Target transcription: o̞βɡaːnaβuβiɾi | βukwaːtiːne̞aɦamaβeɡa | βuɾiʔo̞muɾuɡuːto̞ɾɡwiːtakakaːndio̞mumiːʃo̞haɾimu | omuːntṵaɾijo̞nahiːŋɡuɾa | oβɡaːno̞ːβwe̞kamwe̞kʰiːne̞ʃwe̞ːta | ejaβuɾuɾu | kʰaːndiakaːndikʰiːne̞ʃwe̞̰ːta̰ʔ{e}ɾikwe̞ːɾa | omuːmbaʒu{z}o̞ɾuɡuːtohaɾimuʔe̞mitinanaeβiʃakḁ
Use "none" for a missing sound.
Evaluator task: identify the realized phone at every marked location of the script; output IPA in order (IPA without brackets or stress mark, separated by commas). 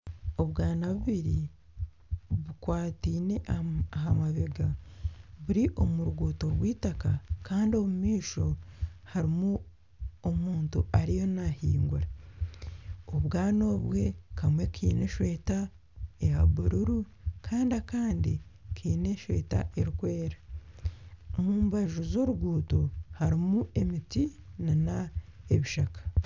e, z